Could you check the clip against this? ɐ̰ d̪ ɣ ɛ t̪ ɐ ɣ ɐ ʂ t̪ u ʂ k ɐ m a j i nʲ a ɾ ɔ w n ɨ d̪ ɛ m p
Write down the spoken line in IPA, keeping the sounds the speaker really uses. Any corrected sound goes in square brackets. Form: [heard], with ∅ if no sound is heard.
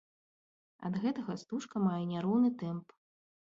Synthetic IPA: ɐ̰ d̪ ɣ ɛ t̪ ɐ ɣ ɐ [s] t̪ u ʂ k ɐ m a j [ɛ] nʲ a ɾ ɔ w n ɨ [t̪] ɛ m p